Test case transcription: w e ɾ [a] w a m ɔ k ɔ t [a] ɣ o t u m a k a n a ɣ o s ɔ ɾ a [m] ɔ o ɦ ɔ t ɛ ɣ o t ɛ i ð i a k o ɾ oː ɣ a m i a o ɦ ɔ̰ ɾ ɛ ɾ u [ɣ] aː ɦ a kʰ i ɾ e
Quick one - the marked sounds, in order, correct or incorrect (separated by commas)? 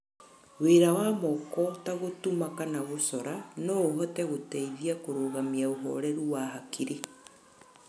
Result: correct, correct, incorrect, incorrect